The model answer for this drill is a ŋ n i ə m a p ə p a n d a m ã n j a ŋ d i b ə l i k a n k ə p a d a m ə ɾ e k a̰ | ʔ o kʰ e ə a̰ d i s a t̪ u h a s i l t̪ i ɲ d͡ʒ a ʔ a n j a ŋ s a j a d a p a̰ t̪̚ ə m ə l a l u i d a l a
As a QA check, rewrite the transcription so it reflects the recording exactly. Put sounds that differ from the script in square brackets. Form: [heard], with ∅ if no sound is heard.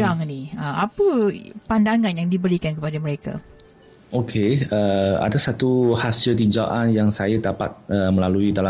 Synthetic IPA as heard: a ŋ n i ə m a p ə p a n d a [ŋ] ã n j a ŋ d i b ə [ɾ] i k a n k ə p a d a m ə ɾ e k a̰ | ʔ o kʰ e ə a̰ d [a] s a t̪ u h a s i l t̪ i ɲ d͡ʒ a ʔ a n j a ŋ s a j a d a p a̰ t̪̚ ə m ə l a l u i d a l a